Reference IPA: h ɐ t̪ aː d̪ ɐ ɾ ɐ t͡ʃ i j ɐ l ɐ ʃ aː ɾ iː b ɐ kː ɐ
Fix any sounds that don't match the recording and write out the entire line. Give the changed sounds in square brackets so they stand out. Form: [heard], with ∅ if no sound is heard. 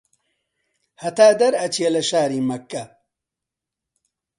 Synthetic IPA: h ɐ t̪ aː d̪ ɐ ɾ ɐ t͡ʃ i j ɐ l ɐ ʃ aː ɾ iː [m] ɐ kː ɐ